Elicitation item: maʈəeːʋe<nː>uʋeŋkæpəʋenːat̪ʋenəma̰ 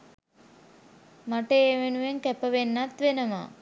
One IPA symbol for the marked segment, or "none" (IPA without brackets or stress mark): n